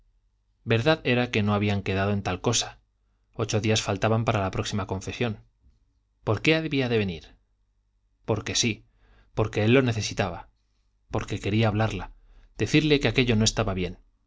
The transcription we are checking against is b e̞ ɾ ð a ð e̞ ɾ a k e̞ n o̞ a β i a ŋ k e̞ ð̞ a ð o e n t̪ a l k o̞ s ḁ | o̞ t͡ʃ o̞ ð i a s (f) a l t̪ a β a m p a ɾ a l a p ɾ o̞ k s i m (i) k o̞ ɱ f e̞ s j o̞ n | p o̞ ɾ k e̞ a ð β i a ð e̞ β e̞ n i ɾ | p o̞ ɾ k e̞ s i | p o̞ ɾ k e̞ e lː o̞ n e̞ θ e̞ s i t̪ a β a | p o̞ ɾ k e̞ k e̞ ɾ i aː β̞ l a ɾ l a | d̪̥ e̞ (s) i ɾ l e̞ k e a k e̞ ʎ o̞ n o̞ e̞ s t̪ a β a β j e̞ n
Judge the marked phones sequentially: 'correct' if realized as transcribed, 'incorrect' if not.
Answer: correct, incorrect: a, incorrect: θ

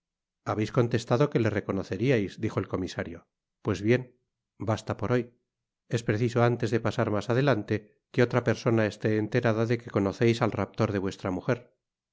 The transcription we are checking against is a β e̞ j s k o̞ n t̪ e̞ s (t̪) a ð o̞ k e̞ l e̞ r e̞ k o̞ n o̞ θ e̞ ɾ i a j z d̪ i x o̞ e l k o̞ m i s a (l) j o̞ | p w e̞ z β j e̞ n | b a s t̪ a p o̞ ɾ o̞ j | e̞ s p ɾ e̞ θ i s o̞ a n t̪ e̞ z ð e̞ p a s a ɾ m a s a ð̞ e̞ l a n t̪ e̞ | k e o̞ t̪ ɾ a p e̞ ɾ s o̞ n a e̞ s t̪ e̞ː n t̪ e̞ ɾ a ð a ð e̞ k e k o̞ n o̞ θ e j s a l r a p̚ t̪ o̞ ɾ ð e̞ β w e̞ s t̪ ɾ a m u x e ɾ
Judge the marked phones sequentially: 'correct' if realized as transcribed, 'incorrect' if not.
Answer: correct, incorrect: ɾ

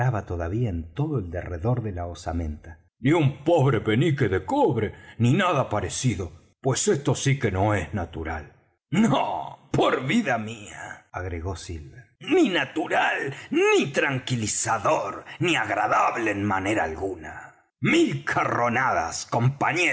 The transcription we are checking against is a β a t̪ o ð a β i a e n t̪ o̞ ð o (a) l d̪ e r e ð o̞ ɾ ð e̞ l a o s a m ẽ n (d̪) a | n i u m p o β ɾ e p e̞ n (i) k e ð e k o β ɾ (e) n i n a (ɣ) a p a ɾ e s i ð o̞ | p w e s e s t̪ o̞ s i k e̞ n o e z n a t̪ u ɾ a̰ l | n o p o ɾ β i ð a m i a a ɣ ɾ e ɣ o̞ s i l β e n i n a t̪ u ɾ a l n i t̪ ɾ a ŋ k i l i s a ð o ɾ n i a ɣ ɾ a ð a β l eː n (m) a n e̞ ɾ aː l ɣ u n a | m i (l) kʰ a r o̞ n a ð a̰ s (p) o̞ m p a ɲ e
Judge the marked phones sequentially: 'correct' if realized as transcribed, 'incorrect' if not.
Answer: incorrect: e, incorrect: t̪, correct, correct, incorrect: ð, correct, correct, incorrect: k

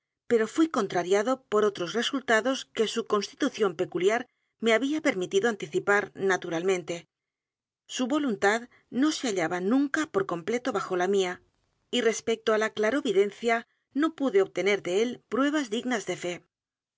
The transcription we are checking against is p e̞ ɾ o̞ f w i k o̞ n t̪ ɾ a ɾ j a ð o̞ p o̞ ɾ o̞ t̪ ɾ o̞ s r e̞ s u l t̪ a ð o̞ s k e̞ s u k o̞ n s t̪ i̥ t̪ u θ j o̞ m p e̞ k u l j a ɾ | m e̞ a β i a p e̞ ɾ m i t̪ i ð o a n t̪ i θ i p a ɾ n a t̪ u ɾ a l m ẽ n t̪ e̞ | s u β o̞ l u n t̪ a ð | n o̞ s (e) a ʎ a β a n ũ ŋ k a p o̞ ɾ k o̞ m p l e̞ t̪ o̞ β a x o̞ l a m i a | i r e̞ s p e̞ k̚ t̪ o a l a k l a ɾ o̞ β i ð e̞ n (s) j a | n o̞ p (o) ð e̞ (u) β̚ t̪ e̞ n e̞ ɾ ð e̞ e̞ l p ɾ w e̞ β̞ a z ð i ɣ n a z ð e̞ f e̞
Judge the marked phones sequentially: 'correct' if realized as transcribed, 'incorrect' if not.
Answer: correct, incorrect: θ, incorrect: u, incorrect: o

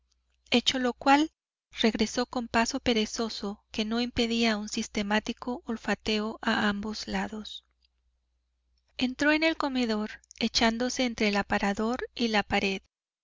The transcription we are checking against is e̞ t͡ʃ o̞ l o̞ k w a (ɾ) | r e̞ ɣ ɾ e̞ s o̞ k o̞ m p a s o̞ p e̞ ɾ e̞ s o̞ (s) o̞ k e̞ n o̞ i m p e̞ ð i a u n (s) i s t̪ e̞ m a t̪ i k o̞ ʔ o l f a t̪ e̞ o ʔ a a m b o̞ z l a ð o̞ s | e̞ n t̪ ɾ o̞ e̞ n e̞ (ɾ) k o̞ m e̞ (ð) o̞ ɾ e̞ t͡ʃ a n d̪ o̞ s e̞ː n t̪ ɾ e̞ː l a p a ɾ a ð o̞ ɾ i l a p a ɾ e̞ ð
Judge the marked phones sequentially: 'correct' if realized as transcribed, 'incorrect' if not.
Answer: incorrect: l, correct, correct, incorrect: l, correct

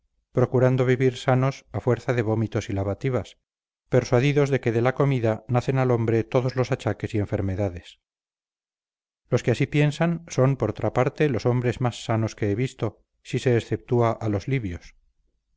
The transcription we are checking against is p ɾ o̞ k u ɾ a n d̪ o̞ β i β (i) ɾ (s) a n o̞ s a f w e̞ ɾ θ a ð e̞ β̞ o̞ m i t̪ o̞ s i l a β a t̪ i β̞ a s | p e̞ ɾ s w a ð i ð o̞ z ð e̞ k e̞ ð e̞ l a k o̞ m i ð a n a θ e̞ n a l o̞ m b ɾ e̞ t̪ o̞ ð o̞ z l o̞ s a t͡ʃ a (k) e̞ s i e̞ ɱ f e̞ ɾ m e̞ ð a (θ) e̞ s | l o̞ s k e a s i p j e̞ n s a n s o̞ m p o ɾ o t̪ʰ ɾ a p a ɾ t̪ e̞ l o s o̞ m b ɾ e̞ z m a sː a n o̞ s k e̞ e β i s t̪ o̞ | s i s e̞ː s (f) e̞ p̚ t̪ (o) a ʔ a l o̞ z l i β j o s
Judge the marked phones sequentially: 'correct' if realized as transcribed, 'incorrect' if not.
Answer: correct, correct, correct, incorrect: ð, incorrect: θ, incorrect: u

